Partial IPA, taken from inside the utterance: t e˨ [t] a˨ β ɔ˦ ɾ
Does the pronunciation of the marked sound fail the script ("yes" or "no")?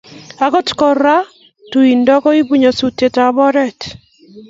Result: no